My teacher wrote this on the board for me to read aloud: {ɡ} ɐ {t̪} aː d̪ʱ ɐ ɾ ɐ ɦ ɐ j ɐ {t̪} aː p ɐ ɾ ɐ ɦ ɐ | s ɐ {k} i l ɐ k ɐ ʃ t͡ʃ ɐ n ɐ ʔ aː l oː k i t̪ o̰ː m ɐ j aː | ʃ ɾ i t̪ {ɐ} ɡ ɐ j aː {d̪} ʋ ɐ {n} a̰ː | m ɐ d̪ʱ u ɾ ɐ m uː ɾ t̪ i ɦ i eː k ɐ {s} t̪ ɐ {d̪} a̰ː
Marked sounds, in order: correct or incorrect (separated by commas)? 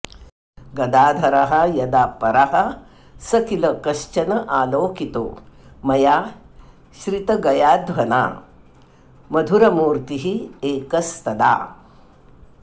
correct, incorrect, incorrect, correct, correct, correct, correct, correct, correct